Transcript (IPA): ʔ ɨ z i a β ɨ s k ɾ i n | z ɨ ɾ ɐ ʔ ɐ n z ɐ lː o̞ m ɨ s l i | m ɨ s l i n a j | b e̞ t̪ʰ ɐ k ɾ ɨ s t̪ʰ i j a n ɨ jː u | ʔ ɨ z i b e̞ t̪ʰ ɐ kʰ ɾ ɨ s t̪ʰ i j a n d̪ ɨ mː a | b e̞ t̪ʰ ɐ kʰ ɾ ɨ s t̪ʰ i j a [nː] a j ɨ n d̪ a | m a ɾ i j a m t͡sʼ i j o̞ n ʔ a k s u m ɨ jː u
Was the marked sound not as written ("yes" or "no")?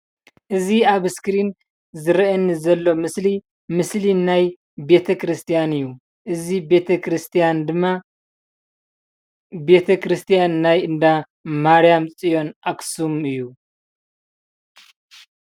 no